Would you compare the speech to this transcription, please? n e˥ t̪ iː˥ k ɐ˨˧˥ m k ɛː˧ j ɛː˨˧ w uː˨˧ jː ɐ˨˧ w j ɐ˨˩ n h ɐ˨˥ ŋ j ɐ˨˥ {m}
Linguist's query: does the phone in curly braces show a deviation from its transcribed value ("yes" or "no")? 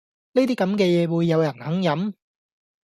no